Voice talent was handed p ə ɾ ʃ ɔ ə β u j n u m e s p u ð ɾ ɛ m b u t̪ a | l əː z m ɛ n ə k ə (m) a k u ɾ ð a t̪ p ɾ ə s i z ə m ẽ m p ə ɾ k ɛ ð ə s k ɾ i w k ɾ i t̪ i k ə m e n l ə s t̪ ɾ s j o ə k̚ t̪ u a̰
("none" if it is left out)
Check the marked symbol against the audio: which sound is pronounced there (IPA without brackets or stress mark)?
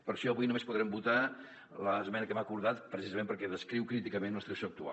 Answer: m